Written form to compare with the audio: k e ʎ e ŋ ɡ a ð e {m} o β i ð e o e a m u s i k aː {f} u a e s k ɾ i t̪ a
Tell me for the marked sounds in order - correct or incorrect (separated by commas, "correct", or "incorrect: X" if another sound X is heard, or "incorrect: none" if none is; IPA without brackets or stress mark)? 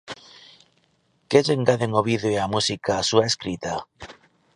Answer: incorrect: ŋ, incorrect: s